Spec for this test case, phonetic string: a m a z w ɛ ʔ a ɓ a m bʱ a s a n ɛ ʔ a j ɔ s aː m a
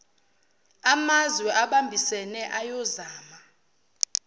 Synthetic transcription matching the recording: a m a z w ɛ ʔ a ɓ a m bʱ i s ɛ n ɛ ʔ a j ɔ z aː m a